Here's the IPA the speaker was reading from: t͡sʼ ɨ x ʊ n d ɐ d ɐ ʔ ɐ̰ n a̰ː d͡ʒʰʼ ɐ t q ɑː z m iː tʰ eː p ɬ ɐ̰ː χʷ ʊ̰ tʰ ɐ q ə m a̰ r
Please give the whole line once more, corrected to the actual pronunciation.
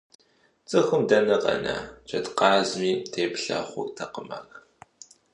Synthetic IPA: t͡sʼ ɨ x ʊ m d ɐ n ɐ q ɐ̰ n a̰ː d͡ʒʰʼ ɐ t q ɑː z m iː tʰ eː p ɬ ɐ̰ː χʷ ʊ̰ tʰ ɐ q ə m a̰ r